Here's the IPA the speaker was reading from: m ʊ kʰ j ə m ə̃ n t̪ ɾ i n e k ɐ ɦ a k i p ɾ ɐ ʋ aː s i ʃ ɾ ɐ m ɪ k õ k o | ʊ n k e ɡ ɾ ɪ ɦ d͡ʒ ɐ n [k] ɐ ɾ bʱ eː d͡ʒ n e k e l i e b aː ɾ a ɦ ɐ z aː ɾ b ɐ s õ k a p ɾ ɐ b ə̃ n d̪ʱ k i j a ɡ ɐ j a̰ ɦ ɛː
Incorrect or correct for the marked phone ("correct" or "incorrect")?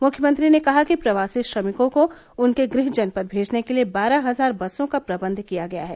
incorrect